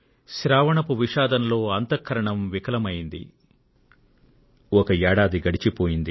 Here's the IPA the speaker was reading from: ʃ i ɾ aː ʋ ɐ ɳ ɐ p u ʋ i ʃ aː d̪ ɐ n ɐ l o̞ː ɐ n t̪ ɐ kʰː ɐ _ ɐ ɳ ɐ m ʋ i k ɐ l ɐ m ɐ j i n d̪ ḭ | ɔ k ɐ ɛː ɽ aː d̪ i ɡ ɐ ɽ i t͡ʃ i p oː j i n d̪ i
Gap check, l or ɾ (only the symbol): ɾ